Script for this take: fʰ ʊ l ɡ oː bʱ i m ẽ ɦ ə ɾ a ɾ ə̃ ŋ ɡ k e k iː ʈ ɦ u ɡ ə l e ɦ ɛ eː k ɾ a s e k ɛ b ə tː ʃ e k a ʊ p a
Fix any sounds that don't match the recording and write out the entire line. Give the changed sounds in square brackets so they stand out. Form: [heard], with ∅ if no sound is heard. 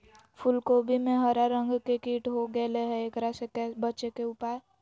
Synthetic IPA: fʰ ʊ l [k] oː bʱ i m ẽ ɦ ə ɾ a ɾ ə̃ ŋ ɡ k e k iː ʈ ɦ [o] ɡ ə l e ɦ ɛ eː k ɾ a s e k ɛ b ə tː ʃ e k [e] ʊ p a